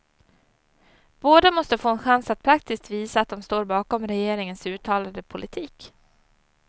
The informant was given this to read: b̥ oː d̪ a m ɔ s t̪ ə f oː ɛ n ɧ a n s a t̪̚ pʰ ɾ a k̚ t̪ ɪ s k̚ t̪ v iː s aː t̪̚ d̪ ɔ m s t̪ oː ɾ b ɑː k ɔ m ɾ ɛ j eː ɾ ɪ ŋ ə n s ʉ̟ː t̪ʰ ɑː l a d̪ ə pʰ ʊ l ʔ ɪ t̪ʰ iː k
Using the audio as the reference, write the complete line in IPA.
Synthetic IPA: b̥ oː d̪ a m ɔ s t̪ ə f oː ɛ n ɧ a n s a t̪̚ pʰ ɾ a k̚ t̪ ɪ s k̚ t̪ v iː s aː t̪̚ d̪ ɔ m s t̪ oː ɾ b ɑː k ɔ m ɾ ɛ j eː ɾ ɪ ŋ ə n s ʉ̟ː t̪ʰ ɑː l a d̪ ə pʰ ʊ l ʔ ɪ t̪ʰ iː k